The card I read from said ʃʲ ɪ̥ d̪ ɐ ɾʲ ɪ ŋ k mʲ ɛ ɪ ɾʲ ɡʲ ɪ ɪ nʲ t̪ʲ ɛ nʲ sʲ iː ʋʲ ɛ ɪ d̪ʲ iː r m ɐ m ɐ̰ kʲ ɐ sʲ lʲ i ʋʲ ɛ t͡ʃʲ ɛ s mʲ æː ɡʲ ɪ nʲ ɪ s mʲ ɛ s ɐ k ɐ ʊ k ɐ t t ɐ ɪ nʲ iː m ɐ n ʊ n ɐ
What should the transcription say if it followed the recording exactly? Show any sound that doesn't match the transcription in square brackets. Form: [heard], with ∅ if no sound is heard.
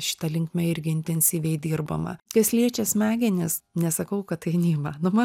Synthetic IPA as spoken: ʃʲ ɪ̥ [t̪] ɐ [lʲ] ɪ ŋ k mʲ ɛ ɪ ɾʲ ɡʲ ɪ ɪ nʲ t̪ʲ ɛ nʲ sʲ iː ʋʲ ɛ ɪ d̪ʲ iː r [b] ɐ m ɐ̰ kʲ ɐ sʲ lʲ i [∅] ɛ t͡ʃʲ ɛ s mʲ æː ɡʲ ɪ nʲ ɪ s [nʲ] ɛ s ɐ k ɐ ʊ k ɐ t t ɐ ɪ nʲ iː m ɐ n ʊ [m] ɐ